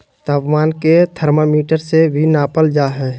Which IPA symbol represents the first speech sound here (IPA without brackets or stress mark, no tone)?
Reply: t̪